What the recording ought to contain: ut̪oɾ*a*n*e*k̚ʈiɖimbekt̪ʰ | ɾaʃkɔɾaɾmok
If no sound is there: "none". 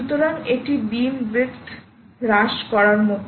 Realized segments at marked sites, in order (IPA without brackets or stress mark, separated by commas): a, e